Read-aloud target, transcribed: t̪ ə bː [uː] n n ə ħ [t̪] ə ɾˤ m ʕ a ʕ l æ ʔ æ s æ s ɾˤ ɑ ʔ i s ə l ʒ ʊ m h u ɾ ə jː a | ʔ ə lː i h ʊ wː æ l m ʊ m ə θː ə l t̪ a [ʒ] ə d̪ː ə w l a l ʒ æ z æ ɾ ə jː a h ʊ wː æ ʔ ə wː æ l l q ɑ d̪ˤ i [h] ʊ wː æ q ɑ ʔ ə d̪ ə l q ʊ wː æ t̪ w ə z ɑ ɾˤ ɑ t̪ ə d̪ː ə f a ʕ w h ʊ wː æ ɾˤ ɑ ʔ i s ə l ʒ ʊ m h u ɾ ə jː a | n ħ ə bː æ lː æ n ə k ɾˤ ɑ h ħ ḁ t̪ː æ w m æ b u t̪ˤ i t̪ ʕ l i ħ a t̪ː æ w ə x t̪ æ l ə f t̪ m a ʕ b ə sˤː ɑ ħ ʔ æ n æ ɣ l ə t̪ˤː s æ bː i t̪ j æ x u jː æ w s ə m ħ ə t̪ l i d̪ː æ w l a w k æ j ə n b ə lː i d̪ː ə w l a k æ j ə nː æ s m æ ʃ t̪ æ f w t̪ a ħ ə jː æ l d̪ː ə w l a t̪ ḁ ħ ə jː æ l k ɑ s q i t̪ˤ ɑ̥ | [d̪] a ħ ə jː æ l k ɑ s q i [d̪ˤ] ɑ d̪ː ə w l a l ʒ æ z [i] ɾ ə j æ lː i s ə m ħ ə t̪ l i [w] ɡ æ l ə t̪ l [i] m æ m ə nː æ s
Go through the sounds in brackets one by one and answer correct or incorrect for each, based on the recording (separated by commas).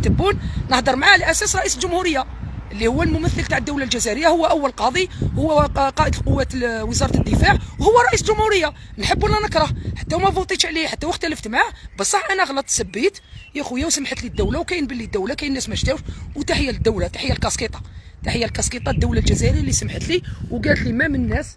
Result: incorrect, incorrect, incorrect, correct, incorrect, incorrect, incorrect, correct, correct